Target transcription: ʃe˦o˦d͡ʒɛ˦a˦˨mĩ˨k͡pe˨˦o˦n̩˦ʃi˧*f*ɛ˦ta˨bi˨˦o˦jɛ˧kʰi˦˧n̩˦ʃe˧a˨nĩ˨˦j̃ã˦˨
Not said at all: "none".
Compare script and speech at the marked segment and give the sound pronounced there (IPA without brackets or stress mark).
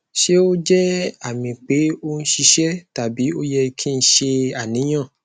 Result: ʃ